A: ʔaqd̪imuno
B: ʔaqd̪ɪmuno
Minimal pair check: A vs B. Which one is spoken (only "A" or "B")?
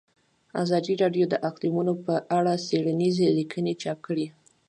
A